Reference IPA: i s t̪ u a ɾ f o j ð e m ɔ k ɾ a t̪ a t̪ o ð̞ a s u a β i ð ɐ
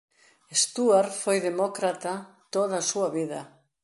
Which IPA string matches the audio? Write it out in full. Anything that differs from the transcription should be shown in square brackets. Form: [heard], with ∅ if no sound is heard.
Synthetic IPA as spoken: [e] s t̪ u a ɾ f o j ð e m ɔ k ɾ a t̪ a t̪ o ð̞ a s u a β i ð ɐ